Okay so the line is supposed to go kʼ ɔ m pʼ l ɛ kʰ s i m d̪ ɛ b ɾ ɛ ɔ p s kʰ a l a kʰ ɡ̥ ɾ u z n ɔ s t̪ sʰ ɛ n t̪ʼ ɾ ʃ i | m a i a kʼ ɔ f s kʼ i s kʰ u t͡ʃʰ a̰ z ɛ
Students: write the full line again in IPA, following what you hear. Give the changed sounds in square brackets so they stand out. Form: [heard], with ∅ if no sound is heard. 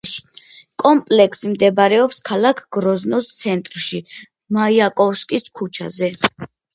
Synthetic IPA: kʼ ɔ m pʼ l ɛ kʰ s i m d̪ ɛ b ɾ ɛ ɔ p s kʰ a l a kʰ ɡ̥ ɾ [ɔ] z n ɔ s t̪ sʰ ɛ n t̪ʼ ɾ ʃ i | m a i a kʼ ɔ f s kʼ i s kʰ u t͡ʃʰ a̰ z ɛ